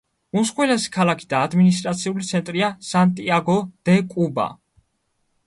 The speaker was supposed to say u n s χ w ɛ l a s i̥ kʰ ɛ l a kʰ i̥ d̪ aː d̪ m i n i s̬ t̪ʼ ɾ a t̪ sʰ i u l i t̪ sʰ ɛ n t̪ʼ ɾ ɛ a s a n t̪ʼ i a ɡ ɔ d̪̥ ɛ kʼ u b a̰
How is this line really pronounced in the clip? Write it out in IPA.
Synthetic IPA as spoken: u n s χ w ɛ l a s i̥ kʰ a l a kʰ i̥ d̪ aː d̪ m i n i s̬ t̪ʼ ɾ a t̪ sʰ i u l i t̪ sʰ ɛ n t̪ʼ ɾ i a s a n t̪ʼ i a ɡ ɔ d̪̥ ɛ kʼ u b a̰

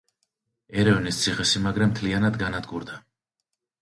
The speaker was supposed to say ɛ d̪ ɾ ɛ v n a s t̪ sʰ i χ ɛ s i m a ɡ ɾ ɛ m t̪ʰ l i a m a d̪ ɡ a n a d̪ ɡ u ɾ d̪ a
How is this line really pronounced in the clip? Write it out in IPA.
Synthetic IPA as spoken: ɛ ɾ ɛ v n i s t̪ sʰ i χ ɛ s i m a ɡ ɾ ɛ m t̪ʰ l i a n a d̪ ɡ a n a d̪ ɡ u ɾ d̪ a

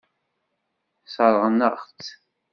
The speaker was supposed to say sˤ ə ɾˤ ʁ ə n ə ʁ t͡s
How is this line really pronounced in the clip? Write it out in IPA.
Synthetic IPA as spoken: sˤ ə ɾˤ ʁ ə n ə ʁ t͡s

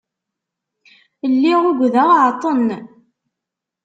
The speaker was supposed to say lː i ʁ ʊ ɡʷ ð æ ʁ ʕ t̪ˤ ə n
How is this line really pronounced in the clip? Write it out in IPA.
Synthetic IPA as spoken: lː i ʁ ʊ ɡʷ ð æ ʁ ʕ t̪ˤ ə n

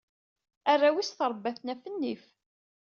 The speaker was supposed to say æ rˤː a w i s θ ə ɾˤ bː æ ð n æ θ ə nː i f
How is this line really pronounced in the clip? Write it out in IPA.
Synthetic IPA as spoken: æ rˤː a w i s θ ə ɾˤ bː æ θ n æ f ə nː i f

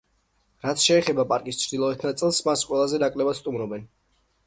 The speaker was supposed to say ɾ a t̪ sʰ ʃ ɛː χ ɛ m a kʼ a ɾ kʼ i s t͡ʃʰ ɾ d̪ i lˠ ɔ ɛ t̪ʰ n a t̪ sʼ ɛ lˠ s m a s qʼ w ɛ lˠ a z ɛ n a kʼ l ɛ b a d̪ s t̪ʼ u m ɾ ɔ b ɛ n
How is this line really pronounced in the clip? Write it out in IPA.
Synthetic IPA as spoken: ɾ a t̪ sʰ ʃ ɛː χ ɛ b a pʼ a ɾ kʼ i s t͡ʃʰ ɾ d̪ i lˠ ɔ ɛ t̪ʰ n a t̪ sʼ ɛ lˠ s m a s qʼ w ɛ lˠ a z ɛ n a kʼ l ɛ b a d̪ s t̪ʼ u m ɾ ɔ b ɛ n

